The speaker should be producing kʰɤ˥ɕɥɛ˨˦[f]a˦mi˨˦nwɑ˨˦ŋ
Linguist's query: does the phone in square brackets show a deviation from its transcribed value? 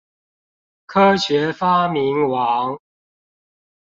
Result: no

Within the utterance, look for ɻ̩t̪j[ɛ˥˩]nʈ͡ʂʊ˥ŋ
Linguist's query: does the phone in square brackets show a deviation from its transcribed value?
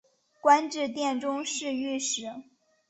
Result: no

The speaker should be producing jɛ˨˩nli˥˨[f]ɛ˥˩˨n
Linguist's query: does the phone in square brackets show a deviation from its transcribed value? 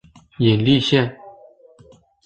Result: yes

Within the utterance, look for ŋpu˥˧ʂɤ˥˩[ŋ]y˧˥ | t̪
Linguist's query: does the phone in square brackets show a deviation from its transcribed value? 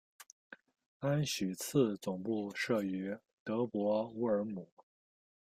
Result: yes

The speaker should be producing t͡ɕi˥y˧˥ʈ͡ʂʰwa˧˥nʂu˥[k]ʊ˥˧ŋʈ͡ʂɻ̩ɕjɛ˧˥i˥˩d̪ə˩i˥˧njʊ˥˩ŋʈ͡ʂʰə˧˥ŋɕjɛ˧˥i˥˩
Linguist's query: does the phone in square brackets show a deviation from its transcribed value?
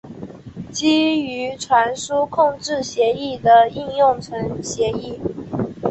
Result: yes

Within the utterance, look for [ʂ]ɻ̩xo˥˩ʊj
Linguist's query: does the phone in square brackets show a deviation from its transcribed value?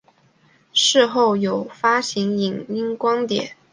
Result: no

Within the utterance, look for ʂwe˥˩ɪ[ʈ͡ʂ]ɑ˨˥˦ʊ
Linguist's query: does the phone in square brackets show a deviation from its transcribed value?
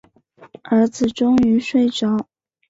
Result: no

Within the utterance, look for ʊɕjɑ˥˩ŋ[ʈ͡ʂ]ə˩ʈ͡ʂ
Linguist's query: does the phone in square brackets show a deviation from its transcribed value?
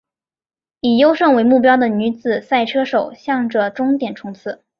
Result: no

